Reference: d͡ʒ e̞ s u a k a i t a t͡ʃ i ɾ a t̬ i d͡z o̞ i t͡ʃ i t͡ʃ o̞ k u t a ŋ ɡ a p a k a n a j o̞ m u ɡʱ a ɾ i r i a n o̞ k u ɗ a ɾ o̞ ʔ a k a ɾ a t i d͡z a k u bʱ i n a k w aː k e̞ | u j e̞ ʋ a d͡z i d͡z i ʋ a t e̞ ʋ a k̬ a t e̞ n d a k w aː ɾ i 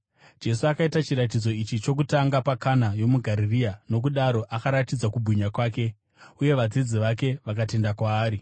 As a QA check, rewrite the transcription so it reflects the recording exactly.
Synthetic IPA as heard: d͡ʒ e̞ s u a k a i t a t͡ʃ i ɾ a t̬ i d͡z o̞ i t͡ʃ i t͡ʃ o̞ k u t a ŋ ɡ a p a k a n a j o̞ m u ɡʱ a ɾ i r i a n o̞ k u ɗ a ɾ o̞ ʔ a k a ɾ a t i d͡z a k u bʱ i ɲ a k w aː k e̞ | u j e̞ ʋ a d͡z i d͡z i ʋ a k e̞ ʋ a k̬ a t e̞ n d a k w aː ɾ i